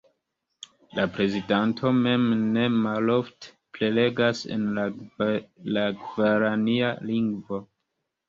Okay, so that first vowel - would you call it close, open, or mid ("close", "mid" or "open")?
open